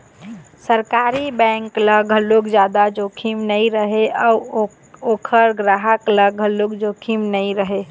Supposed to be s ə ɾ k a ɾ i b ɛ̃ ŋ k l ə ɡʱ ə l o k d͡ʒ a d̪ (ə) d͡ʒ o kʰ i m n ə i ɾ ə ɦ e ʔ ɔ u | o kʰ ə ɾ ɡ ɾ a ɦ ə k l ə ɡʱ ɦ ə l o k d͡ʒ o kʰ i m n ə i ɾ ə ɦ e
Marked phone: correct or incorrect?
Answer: incorrect